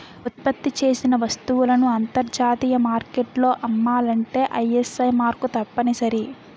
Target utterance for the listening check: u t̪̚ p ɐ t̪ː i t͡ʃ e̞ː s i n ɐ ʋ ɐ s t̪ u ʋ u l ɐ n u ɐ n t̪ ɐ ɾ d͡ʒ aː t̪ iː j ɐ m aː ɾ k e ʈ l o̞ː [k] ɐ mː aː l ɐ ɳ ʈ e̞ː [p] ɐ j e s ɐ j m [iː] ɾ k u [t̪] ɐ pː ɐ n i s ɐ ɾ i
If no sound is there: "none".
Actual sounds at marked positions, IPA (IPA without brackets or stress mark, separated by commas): ʔ, ʔ, aː, t̪